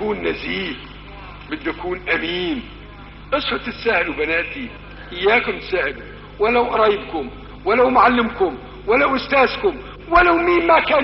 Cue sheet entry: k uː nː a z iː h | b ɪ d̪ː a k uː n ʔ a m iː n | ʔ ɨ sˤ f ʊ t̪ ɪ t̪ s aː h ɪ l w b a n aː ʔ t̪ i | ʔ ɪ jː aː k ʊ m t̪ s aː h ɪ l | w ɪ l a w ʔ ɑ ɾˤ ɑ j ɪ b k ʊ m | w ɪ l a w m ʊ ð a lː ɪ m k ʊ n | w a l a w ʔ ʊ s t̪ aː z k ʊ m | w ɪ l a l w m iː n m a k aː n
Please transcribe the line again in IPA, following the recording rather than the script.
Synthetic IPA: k uː nː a z iː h | b ɪ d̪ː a k uː n ʔ a m iː n | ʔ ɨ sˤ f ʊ t̪ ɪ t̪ s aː h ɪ l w b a n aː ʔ t̪ i | ʔ ɪ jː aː k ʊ m t̪ s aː h ɪ l | w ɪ l a w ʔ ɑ ɾˤ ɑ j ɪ b k ʊ m | w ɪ l a w m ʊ ʕ a lː ɪ m k ʊ m | w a l a w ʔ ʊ s t̪ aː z k ʊ m | w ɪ l a w m iː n m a k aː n